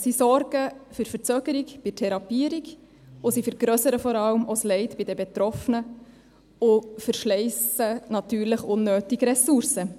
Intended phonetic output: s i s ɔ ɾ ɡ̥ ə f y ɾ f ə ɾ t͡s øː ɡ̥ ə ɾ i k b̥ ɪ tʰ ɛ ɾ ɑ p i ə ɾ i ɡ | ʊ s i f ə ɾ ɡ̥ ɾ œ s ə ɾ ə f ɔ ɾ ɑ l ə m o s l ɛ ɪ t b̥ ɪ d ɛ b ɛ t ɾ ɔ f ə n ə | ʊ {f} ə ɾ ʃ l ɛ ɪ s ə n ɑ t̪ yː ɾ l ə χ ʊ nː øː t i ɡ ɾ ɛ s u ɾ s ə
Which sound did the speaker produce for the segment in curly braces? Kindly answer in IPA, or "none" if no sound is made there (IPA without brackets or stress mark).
f